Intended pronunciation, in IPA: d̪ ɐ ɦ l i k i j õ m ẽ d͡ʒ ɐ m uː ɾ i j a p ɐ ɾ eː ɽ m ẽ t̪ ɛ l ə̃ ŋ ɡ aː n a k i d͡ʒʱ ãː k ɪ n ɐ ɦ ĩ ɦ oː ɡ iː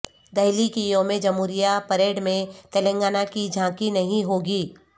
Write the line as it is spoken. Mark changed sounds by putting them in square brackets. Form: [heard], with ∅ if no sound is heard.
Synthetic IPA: d̪ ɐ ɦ l i k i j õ m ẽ d͡ʒ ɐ m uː ɾ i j a p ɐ ɾ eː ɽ m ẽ t̪ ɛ l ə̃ ŋ ɡ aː n a k i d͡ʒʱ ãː k [i] n ɐ ɦ ĩ ɦ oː ɡ iː